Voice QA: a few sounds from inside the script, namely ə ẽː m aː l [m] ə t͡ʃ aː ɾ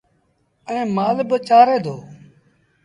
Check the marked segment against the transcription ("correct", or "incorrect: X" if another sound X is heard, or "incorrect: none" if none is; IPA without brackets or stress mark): incorrect: b